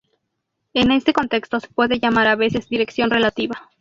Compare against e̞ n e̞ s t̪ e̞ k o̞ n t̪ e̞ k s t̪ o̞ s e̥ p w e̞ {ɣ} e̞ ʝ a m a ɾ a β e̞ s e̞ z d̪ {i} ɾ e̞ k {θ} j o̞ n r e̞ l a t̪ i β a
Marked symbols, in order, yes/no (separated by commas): no, yes, no